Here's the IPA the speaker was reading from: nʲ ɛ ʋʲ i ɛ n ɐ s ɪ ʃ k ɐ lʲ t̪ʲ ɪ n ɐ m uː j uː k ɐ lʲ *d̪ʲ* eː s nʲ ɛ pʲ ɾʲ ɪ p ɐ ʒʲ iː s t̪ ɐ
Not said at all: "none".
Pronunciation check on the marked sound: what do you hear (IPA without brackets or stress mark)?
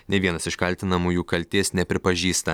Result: t̪ʲ